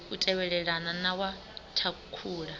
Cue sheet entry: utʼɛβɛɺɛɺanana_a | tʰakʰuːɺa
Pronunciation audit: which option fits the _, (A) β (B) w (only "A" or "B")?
B